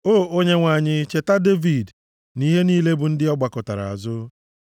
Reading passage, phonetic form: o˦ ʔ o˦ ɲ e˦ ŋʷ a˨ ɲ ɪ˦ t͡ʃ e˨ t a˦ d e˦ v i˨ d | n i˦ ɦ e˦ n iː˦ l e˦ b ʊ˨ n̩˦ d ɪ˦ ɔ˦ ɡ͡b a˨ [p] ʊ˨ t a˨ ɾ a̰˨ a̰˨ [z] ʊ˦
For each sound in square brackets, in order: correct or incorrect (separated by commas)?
incorrect, correct